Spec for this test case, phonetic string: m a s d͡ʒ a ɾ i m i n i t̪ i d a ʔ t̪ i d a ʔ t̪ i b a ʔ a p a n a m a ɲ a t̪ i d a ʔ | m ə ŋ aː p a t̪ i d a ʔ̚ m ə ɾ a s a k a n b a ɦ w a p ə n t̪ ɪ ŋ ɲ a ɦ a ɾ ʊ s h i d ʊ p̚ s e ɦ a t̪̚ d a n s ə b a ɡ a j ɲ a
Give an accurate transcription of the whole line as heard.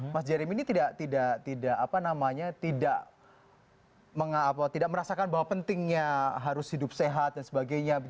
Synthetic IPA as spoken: m a s d͡ʒ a ɾ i m i n i t̪ i d a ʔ t̪ i d a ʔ t̪ i d a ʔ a p a n a m a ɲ a t̪ i d a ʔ | m ə ŋ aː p a t̪ i d a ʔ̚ m ə ɾ a s a k a n b a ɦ w a p ə n t̪ ɪ ŋ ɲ a ɦ a ɾ ʊ s h i d ʊ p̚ s e ɦ a t̪̚ d a n s ə b a ɡ a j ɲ a